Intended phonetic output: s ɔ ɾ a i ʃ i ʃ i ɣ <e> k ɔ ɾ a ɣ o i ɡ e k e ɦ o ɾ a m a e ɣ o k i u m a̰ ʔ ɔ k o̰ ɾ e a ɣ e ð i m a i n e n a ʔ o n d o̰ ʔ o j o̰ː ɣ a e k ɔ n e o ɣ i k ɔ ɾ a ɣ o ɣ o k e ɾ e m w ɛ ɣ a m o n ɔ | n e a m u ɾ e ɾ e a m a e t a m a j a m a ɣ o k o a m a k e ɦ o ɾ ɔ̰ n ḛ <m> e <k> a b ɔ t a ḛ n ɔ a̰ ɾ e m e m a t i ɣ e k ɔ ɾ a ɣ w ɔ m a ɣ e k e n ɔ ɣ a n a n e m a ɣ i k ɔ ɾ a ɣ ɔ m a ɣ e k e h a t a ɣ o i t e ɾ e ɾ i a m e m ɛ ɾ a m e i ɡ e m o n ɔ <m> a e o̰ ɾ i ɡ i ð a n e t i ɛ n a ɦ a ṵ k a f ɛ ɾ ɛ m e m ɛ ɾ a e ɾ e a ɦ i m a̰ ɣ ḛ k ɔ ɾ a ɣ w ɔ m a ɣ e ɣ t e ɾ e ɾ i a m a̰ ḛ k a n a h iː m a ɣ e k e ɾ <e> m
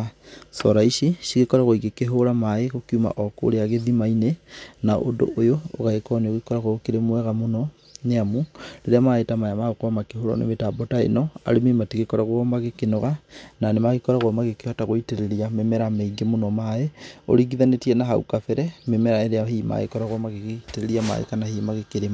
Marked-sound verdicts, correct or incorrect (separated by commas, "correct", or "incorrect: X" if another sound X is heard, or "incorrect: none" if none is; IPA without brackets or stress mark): correct, correct, incorrect: t, correct, correct